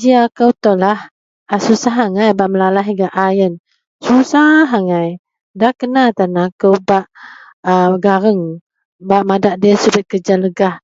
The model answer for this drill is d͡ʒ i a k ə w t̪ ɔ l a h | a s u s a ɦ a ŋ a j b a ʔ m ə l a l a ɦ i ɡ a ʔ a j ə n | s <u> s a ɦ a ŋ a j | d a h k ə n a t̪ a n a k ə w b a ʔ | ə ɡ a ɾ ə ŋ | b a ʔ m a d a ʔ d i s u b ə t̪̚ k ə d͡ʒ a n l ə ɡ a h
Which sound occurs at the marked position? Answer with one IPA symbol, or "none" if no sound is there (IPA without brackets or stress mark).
u